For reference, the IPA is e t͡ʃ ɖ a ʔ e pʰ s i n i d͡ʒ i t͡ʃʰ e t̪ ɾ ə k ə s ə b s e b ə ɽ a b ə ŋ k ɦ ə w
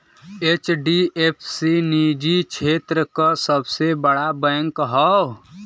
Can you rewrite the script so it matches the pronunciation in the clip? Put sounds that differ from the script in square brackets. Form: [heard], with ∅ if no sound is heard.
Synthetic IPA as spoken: e t͡ʃ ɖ [i] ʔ e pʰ s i n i d͡ʒ i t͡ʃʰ e t̪ ɾ ə k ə s ə b s e b ə ɽ a b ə ŋ k ɦ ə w